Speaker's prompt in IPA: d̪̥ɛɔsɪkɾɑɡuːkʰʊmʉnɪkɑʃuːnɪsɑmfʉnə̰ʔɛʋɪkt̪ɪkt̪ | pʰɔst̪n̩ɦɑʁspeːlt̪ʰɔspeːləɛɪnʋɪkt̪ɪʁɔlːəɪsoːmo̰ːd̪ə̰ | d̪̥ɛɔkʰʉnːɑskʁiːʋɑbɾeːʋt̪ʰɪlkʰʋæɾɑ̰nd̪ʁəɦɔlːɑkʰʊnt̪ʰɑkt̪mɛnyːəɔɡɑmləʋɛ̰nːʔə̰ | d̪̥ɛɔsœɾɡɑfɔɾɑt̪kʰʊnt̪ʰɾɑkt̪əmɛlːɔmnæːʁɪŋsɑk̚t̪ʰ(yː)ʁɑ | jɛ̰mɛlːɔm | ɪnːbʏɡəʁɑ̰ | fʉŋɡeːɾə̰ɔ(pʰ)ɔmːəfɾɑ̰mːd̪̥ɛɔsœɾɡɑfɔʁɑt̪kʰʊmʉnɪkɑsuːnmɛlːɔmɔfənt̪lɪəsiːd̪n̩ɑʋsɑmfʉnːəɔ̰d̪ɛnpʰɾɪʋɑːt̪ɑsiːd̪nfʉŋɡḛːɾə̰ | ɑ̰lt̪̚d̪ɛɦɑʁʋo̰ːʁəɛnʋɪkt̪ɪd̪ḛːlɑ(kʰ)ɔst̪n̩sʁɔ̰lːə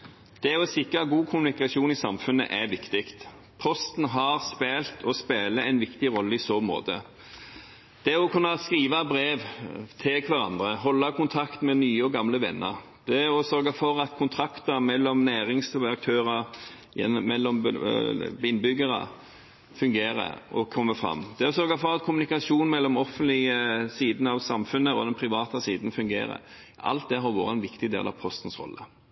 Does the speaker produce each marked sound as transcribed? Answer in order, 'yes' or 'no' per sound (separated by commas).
no, no, no